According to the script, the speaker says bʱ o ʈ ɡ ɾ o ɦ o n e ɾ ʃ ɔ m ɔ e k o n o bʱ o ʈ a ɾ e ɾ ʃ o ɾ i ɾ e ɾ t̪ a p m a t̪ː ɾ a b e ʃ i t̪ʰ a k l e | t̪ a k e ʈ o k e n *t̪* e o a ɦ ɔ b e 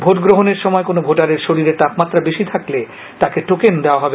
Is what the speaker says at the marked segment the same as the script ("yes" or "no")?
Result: no